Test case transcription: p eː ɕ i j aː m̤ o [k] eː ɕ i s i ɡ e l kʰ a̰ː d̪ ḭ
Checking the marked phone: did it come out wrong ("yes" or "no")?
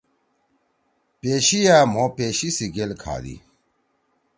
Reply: yes